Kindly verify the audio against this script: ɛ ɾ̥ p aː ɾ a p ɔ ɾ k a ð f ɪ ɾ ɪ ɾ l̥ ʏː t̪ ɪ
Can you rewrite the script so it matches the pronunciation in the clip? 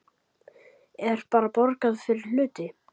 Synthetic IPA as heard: ɛ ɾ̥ p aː ɾ a p ɔ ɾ k a ð f ɪ ɾ ɪ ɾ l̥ ʏː t̪ ɪ

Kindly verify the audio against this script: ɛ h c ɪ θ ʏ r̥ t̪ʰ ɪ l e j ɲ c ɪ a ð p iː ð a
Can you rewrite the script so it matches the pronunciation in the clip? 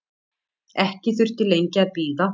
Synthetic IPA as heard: ɛ h c ɪ θ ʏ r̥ t̪ ɪ l e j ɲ c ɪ a ð p iː ð a

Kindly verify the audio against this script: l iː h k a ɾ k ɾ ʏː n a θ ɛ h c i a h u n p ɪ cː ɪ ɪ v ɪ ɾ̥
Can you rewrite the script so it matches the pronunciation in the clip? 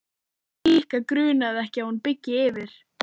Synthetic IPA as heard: l iː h k a k ɾ ʏː n a ð ɛ h c ɪ a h u n p ɪ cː ɪ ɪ v ɪ ɾ̥

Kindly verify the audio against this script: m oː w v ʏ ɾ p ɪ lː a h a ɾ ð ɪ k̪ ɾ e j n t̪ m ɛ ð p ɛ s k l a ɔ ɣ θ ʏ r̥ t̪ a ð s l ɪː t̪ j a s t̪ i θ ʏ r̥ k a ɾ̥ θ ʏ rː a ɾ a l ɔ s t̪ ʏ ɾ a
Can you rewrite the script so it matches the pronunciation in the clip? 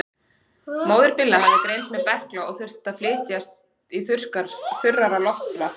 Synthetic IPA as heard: m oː w ð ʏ ɾ p ɪ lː a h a ɾ ð ɪ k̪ ɾ e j n t̪ m ɛ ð p ɛ h k l a ɔ ɣ θ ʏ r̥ t̪ a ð f l ɪː t̪ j a s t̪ i θ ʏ r̥ k a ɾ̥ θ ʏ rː a ɾ a l ɔ h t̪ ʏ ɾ a

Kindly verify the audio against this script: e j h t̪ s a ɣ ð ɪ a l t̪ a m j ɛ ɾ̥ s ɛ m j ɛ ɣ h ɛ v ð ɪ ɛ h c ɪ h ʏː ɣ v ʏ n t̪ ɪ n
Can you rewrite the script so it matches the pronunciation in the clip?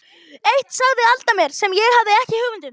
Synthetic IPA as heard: e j h t̪ s a ɣ ð ɪ a l t̪ a m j ɛ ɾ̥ s ɛ m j ɛ ɣ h a v ð ɪ ɛ h c ɪ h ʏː ɣ v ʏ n t̪ ɪ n

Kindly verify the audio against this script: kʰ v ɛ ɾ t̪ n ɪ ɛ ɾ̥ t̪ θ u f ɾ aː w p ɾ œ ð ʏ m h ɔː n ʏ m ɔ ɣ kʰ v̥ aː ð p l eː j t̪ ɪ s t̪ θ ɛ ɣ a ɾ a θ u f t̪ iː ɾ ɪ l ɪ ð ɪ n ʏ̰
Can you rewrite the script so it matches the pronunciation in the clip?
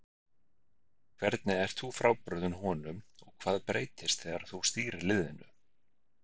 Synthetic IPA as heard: kʰ v ɛ ɾ t̪ n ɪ ɛ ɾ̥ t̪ θ u f ɾ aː w p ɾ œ ð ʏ n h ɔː n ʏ m ɔ ɣ kʰ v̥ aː ð p ɾ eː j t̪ ɪ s t̪ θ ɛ ɣ a ɾ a θ u s t̪ iː ɾ ɪ l ɪ ð ɪ n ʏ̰

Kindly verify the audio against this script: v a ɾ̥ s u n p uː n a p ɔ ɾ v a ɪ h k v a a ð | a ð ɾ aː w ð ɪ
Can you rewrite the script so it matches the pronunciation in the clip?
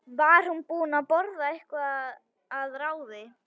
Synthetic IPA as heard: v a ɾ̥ h u n p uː n a p ɔ ɾ ð a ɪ h k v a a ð | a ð ɾ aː w ð ɪ

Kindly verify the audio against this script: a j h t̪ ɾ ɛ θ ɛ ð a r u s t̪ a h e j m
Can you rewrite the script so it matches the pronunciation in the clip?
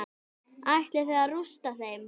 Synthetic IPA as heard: a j h t̪ l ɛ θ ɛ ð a r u s t̪ a θ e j m

